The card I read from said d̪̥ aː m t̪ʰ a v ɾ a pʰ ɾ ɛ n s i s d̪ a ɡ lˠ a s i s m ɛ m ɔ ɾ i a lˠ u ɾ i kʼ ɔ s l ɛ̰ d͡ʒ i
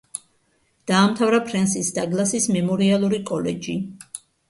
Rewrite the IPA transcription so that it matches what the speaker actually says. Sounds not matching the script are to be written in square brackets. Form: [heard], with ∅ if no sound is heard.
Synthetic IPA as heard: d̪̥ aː m t̪ʰ a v ɾ a pʰ ɾ ɛ n s i s d̪ a ɡ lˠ a s i s m ɛ m ɔ ɾ i a lˠ u ɾ i kʼ ɔ [∅] l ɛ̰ d͡ʒ i